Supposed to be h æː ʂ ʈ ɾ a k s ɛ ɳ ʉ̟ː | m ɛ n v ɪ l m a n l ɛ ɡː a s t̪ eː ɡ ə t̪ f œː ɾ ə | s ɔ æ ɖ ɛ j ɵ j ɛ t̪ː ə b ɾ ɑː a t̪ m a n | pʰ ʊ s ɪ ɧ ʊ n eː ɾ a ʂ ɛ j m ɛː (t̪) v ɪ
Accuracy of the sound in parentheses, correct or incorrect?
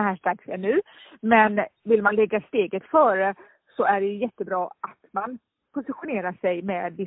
incorrect